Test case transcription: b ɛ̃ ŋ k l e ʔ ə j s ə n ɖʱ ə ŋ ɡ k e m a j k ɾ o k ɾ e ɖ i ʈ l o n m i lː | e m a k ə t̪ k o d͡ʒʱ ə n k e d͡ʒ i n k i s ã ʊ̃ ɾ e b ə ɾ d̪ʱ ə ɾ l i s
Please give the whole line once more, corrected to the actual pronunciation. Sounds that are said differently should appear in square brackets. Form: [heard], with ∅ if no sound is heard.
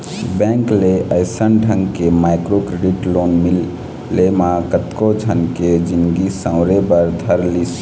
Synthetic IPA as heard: b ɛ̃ ŋ k l e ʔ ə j s ə n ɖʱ ə ŋ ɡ k e m a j k ɾ o k ɾ e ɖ i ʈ l o n m i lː | e m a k ə t̪ k o d͡ʒʱ ə n k e d͡ʒ i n [ɡ] i s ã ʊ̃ ɾ e b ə ɾ d̪ʱ ə ɾ l i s